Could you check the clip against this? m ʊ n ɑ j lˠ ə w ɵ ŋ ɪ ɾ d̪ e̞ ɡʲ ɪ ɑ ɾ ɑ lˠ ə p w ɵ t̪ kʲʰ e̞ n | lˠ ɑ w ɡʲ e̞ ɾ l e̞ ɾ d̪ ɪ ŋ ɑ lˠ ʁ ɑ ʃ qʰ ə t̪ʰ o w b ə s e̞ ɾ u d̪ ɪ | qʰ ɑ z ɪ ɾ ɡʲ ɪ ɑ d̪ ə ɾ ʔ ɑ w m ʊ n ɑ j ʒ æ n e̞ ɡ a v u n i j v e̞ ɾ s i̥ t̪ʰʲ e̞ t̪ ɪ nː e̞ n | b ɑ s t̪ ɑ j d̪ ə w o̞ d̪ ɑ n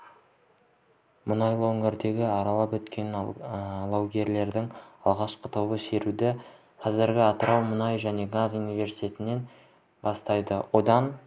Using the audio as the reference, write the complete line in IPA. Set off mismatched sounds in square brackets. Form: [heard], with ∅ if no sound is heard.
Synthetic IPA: m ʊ n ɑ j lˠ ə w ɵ ŋ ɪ ɾ d̪ e̞ ɡʲ ɪ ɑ ɾ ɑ lˠ [ɑ] p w ɵ t̪ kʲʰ e̞ n | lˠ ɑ w ɡʲ e̞ ɾ l e̞ ɾ d̪ ɪ ŋ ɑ lˠ ʁ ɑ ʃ [q] ə t̪ʰ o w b ə s e̞ ɾ u d̪ ɪ | qʰ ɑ z ɪ ɾ ɡʲ ɪ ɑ [t̪] ə ɾ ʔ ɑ w m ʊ n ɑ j ʒ æ n e̞ ɡ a [z] u n i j v e̞ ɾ s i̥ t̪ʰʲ e̞ t̪ ɪ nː e̞ n | b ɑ s t̪ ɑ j d̪ ə w o̞ d̪ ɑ n